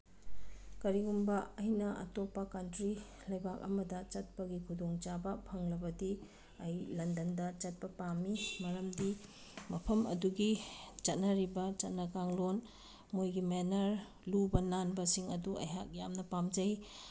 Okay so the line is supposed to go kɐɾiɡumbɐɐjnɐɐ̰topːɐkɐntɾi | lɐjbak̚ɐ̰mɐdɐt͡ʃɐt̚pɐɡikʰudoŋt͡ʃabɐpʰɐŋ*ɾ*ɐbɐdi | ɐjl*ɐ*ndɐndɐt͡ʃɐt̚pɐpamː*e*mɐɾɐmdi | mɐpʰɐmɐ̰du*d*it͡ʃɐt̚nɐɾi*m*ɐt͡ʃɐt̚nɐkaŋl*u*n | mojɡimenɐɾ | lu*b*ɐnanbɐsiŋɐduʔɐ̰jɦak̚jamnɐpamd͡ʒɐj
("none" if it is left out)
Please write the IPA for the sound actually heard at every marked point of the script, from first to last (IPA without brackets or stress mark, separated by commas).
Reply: l, ɐ, i, ɡ, b, o, b